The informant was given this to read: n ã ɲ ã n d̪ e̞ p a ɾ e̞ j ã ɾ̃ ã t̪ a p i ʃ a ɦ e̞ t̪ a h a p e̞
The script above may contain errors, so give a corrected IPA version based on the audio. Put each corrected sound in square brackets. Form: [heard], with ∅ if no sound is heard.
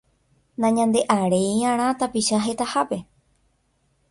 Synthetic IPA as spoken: n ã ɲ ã n d̪ e̞ [ʔ] a ɾ e̞ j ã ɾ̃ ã t̪ a p i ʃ a ɦ e̞ t̪ a h a p e̞